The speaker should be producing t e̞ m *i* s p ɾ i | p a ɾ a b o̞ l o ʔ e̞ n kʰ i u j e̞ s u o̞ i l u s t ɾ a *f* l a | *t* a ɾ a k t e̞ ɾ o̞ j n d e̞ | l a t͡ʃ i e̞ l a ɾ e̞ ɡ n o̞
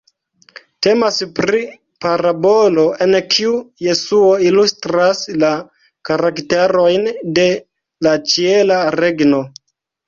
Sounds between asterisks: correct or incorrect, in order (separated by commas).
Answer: incorrect, incorrect, incorrect